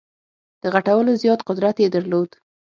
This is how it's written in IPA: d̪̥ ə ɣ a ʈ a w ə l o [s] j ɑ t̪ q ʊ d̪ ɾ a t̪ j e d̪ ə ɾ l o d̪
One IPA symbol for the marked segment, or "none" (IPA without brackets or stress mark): z